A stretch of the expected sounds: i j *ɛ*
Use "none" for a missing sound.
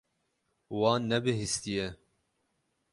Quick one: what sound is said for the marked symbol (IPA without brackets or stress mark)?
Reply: ɛ